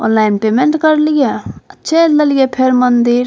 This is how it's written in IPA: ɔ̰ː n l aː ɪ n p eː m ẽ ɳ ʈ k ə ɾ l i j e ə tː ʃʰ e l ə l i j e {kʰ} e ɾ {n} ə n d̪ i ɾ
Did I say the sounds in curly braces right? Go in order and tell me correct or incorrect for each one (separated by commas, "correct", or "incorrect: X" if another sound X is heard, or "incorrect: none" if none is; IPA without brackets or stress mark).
incorrect: pʰ, incorrect: m